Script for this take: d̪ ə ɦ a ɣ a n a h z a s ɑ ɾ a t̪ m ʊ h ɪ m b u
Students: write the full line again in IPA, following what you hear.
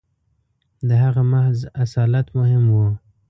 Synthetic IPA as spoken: d̪ ə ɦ a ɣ a m a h z a s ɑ l a t̪ m ʊ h ɪ m w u